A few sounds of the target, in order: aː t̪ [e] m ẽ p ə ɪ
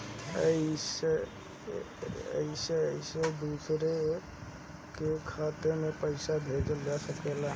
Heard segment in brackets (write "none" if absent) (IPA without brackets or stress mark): e